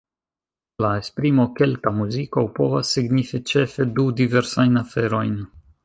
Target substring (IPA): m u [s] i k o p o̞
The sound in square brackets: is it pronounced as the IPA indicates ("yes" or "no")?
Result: no